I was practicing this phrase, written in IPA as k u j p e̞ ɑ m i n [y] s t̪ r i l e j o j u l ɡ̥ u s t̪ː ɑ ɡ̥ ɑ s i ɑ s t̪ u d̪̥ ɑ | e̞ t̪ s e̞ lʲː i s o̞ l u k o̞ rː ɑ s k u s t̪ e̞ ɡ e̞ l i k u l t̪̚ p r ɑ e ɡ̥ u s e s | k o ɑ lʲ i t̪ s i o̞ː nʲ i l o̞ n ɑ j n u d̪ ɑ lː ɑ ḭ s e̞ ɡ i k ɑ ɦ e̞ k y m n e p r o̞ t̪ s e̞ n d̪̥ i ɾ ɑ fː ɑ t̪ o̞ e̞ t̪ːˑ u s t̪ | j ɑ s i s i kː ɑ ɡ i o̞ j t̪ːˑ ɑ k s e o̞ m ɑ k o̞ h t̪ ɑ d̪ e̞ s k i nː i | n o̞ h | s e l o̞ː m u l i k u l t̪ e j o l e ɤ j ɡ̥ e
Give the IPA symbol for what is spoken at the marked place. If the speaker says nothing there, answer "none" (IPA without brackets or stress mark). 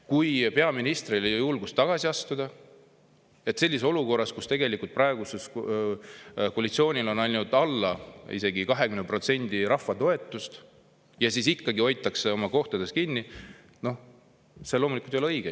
i